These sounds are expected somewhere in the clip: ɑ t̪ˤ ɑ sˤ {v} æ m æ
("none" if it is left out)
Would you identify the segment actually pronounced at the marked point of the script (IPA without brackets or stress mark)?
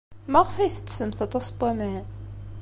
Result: b